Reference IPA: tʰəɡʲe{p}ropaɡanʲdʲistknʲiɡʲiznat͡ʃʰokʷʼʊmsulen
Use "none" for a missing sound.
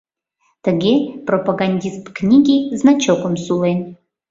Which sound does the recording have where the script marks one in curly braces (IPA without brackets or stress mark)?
p